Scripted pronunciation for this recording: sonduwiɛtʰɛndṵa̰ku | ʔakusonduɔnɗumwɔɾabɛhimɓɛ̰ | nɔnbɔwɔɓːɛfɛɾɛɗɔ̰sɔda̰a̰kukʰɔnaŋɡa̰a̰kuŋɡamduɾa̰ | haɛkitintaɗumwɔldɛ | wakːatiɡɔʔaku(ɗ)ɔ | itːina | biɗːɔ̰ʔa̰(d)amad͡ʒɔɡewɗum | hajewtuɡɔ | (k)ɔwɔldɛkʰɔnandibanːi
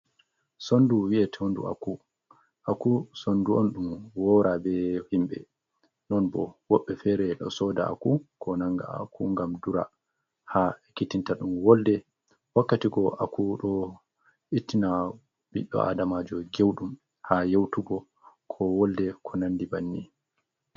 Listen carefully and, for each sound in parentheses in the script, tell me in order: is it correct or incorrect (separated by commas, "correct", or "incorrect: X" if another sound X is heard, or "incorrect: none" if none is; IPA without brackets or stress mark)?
correct, correct, incorrect: kʰ